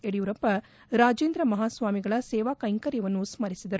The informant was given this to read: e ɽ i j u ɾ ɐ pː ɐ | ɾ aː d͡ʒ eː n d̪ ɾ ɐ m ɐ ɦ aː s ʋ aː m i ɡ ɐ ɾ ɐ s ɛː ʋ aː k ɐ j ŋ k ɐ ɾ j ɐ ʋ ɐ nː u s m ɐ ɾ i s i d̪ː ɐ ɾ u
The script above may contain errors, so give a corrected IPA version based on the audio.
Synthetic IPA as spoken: e ɽ i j u ɾ ɐ pː ɐ | ɾ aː d͡ʒ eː n d̪ ɾ ɐ m ɐ ɦ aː s ʋ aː m i ɡ ɐ ɭ ɐ s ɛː ʋ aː k ɐ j ŋ k ɐ ɾ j ɐ ʋ ɐ nː u s m ɐ ɾ i s i d̪ ɐ ɾ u